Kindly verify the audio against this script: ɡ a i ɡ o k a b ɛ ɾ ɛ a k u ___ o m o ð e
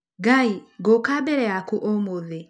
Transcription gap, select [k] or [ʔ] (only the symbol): ʔ